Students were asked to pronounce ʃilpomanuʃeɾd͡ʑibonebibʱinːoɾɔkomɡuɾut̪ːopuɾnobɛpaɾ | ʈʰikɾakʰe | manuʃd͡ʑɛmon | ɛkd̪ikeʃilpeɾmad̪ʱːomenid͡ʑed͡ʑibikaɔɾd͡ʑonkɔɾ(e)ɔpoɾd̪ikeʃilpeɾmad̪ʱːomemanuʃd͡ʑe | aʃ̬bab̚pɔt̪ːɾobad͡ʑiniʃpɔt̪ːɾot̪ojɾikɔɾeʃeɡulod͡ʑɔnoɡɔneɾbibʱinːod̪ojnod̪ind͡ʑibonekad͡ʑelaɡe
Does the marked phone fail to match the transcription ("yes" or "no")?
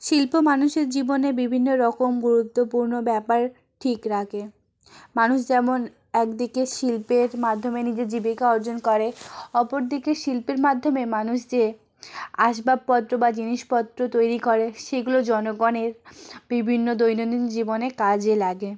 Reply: no